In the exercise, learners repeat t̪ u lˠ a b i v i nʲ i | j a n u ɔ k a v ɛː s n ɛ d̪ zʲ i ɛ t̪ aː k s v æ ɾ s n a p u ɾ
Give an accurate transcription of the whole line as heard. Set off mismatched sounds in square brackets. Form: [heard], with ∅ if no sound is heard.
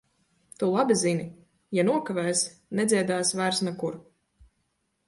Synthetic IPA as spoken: t̪ u lˠ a b i [z] i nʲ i | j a n u ɔ k a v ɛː s n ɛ d̪ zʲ i ɛ [d̪] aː [∅] s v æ ɾ s n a [k] u ɾ